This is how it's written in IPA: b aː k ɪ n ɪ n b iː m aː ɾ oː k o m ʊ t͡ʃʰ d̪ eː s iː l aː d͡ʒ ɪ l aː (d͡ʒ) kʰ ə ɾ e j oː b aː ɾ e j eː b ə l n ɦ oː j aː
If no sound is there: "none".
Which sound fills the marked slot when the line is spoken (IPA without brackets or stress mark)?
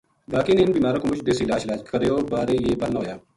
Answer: d͡ʒ